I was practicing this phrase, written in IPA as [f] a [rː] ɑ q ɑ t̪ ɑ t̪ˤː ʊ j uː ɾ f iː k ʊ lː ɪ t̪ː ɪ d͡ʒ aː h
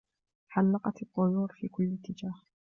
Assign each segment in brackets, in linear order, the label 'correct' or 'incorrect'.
incorrect, incorrect

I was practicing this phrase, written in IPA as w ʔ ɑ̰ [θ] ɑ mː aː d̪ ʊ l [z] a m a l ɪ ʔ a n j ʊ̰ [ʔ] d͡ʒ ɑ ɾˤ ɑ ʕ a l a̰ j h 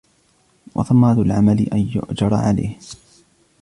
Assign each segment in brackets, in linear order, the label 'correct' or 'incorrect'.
correct, incorrect, correct

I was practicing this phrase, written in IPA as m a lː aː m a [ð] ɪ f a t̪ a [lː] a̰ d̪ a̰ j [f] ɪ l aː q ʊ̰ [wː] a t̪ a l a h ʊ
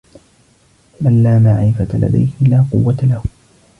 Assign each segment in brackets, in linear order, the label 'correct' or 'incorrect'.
incorrect, incorrect, incorrect, correct

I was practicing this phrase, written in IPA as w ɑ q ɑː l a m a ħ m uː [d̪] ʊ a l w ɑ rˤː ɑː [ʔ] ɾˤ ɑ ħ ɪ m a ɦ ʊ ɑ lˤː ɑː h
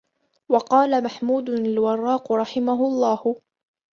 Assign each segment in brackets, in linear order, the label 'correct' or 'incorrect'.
correct, incorrect

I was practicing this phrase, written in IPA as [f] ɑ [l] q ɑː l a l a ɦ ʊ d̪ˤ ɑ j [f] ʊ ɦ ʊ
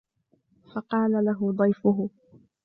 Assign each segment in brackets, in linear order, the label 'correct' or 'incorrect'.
correct, incorrect, correct

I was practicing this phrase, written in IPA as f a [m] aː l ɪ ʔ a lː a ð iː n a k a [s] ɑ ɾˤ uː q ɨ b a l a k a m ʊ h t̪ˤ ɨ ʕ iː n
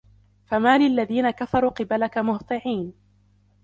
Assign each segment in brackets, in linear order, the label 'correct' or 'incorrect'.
correct, incorrect

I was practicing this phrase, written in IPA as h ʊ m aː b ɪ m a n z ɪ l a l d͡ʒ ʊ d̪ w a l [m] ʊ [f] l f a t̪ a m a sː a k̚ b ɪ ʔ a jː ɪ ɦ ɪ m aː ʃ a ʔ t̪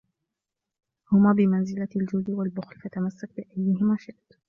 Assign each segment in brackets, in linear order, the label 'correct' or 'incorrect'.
incorrect, incorrect

